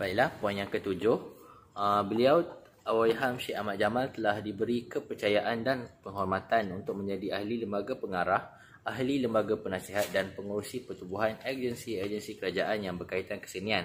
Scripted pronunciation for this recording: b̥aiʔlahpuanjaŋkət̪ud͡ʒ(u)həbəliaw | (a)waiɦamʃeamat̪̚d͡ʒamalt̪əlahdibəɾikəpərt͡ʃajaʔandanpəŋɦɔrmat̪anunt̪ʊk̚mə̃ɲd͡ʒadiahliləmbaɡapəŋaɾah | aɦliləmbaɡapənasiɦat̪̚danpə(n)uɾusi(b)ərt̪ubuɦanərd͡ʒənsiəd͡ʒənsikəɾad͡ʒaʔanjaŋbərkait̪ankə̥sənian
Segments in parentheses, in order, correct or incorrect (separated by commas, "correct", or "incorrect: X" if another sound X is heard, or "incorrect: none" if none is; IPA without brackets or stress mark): incorrect: ʊ, correct, incorrect: ŋ, incorrect: p